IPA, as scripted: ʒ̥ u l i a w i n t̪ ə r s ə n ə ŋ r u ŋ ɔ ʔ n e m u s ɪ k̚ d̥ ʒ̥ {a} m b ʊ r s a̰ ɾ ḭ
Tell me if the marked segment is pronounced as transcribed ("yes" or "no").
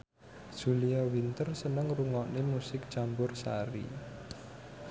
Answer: yes